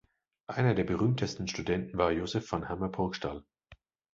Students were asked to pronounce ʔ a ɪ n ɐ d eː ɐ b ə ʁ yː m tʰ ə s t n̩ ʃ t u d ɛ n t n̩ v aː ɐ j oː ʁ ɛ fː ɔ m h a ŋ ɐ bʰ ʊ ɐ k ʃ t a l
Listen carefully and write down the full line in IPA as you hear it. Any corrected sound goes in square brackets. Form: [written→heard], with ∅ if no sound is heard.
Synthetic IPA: ʔ a ɪ n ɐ d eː ɐ b ə ʁ yː m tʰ ə s t n̩ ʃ t u d ɛ n t n̩ v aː ɐ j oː [ʁ→z] ɛ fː ɔ [m→n] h a [ŋ→m] ɐ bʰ ʊ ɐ k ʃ t a l